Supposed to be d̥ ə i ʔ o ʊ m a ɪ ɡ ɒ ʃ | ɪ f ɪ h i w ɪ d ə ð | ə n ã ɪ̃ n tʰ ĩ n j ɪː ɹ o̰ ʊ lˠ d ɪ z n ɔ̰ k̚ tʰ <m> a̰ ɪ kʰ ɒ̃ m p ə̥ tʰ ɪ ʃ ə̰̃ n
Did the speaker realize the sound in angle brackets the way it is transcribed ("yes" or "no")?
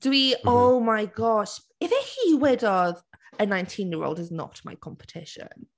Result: yes